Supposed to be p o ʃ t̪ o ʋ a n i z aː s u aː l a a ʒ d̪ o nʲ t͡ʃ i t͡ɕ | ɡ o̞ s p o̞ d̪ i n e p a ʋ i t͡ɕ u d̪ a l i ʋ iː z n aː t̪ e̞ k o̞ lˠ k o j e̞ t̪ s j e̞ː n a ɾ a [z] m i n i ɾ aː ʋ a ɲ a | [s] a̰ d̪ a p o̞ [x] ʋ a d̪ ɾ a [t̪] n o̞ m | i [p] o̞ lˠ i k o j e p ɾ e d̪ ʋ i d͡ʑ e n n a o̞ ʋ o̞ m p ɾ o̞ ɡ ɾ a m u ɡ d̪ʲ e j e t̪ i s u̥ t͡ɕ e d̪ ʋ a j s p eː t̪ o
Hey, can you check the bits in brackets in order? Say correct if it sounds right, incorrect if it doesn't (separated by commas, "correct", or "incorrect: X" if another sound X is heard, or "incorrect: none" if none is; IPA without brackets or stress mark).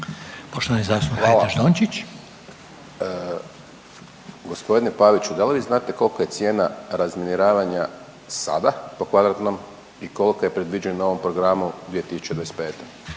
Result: correct, correct, incorrect: k, correct, incorrect: k